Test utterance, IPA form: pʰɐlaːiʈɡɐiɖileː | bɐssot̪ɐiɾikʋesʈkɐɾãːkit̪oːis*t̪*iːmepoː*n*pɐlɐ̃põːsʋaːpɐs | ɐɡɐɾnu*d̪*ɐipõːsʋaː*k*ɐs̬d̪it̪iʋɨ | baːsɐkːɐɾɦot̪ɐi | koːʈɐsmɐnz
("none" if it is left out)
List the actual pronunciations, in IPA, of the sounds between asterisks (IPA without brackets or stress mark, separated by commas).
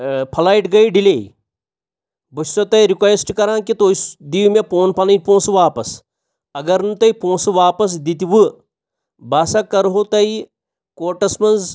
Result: d̪, n, t̪, p